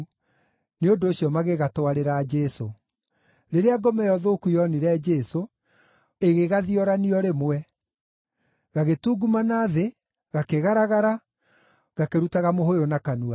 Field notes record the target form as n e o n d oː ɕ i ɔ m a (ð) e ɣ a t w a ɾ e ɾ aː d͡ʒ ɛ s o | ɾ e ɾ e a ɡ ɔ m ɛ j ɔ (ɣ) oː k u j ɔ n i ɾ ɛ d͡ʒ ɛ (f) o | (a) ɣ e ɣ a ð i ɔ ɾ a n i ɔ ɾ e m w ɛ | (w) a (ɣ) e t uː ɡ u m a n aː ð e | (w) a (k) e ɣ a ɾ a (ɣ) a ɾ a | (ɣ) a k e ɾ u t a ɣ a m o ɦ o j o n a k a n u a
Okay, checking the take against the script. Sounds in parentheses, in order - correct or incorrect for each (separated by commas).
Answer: incorrect, incorrect, incorrect, incorrect, incorrect, correct, incorrect, correct, correct, correct